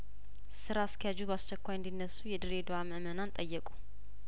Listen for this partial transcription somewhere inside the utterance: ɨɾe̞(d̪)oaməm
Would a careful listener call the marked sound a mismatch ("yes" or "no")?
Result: no